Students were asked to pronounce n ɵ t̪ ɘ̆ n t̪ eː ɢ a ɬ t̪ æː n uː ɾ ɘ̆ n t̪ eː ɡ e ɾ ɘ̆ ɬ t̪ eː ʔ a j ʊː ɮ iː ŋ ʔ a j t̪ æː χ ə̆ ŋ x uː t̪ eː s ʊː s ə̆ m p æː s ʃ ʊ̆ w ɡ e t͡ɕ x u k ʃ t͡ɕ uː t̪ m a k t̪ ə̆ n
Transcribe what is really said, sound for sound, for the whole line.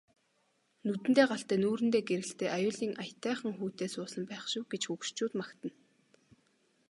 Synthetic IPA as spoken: n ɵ t̪ ɘ̆ n t̪ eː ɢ a ɬ t̪ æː n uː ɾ ɘ̆ n t̪ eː ɡ e ɾ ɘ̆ ɬ t̪ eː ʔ a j ʊː ɮ iː ŋ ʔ a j t̪ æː χ ə̆ ŋ x uː t̪ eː s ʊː s ə̆ m p æː χ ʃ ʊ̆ w ɡ e t͡ɕ x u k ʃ t͡ɕ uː t̪ m a k t̪ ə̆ n

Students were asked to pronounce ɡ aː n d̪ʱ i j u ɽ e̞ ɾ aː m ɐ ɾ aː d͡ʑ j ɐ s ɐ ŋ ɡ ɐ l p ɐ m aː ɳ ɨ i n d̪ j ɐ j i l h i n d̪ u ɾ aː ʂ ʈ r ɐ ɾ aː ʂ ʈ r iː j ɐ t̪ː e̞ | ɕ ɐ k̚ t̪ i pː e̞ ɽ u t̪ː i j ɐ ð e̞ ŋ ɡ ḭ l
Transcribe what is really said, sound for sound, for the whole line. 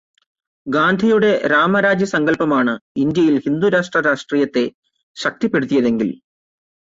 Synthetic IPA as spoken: ɡ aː n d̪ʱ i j u ɽ e̞ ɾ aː m ɐ ɾ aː d͡ʑ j ɐ s ɐ ŋ ɡ ɐ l p ɐ m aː ɳ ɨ i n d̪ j ɐ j i l h i n d̪ u ɾ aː ʂ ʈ r ɐ ɾ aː ʂ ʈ r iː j ɐ t̪ː e̞ | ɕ ɐ k̚ t̪ i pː e̞ ɽ u t̪ː i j ɐ ð e̞ ŋ ɡ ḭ l

